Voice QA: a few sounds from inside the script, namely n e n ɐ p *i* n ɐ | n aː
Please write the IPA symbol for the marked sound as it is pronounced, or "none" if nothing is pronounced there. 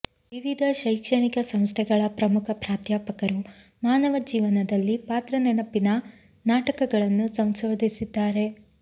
i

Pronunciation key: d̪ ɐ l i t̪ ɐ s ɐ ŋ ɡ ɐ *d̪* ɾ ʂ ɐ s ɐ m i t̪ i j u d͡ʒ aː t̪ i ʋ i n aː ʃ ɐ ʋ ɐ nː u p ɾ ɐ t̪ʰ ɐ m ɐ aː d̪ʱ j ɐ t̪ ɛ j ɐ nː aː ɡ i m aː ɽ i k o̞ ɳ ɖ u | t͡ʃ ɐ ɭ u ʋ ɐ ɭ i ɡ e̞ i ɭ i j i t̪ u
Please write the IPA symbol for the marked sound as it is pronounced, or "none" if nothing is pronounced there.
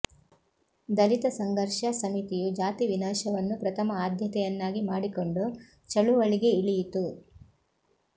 none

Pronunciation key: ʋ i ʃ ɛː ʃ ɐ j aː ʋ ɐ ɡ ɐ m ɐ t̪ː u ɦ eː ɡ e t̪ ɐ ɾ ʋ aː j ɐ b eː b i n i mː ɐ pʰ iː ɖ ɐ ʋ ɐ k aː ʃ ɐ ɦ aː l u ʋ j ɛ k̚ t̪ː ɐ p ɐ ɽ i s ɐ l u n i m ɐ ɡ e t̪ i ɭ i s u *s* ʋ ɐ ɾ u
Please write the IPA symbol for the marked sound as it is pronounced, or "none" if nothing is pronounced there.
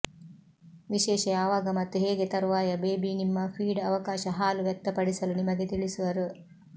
none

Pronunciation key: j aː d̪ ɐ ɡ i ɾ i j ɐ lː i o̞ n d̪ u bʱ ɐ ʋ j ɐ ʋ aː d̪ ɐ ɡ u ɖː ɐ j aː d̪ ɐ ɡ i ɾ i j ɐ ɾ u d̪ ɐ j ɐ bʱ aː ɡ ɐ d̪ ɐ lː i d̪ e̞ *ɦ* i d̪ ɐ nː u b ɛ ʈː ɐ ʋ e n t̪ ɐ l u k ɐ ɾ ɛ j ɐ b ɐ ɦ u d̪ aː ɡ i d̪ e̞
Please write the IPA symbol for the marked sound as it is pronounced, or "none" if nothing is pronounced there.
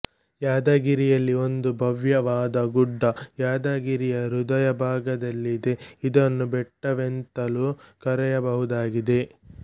none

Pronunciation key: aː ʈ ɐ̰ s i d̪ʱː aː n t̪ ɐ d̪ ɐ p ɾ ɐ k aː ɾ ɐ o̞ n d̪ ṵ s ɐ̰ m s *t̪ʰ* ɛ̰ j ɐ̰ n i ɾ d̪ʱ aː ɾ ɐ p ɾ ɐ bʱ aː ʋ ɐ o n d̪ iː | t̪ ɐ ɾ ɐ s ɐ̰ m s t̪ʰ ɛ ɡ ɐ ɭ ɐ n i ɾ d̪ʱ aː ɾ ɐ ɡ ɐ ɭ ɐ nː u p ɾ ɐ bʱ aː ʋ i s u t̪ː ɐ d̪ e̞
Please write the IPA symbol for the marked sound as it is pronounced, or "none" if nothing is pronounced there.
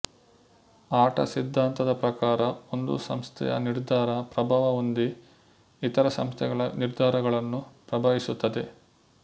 t̪ʰ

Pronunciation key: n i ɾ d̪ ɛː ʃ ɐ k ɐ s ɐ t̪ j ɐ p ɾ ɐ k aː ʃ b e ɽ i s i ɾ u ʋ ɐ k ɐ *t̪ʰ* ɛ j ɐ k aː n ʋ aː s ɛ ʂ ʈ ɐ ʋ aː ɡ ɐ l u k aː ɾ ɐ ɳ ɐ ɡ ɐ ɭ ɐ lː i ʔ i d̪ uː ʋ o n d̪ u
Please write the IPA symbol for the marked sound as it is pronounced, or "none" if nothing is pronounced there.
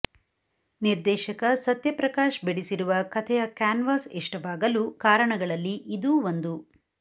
t̪ʰ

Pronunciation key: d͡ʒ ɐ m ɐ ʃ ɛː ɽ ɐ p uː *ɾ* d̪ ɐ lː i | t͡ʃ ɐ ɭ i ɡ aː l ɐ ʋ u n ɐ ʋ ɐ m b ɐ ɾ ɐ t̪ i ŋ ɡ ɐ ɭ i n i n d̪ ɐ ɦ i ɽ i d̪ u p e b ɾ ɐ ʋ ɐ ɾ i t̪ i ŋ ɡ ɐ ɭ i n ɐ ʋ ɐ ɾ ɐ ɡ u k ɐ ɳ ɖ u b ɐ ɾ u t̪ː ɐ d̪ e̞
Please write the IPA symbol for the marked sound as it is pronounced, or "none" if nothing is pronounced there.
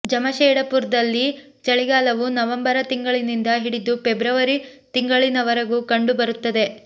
ɾ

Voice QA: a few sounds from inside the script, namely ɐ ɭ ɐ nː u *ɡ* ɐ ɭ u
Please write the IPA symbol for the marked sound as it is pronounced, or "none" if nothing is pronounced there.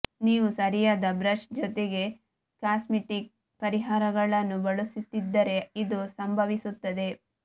b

